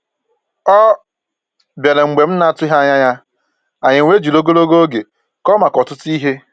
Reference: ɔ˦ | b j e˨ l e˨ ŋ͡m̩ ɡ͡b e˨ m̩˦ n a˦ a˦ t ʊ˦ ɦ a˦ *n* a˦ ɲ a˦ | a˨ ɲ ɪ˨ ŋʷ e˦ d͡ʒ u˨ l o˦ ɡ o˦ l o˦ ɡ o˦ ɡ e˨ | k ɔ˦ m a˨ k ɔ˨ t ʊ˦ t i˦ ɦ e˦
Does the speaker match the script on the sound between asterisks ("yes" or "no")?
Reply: no